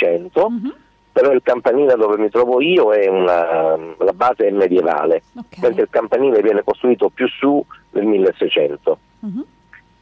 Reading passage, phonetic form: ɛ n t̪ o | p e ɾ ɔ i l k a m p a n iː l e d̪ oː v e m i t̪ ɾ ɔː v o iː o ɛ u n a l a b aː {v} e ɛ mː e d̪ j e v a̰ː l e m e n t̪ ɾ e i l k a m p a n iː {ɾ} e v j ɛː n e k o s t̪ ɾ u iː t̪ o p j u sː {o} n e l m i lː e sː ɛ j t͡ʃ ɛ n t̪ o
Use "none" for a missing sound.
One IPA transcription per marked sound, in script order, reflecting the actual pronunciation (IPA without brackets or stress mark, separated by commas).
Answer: z, l, u